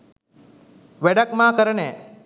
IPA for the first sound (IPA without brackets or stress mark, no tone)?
ʋ